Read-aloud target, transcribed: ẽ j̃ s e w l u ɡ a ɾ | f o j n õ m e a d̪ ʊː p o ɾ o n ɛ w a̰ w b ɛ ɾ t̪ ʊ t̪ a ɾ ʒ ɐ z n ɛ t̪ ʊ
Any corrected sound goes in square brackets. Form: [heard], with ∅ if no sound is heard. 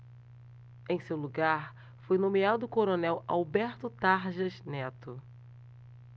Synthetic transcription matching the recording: ẽ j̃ s e w l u ɡ a ɾ | f o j n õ m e a d̪ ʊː [k] o ɾ o n ɛ w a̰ w b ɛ ɾ t̪ ʊ t̪ a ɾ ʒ ɐ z n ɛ t̪ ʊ